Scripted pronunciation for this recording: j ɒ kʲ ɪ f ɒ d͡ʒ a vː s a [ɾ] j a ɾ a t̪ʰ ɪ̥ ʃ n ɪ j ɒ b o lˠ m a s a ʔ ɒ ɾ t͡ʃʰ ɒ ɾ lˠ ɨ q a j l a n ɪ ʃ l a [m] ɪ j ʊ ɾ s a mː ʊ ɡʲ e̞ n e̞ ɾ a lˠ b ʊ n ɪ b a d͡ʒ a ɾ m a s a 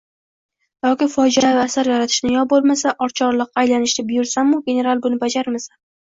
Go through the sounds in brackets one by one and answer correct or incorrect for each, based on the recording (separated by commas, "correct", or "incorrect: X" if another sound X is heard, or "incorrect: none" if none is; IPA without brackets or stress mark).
correct, incorrect: b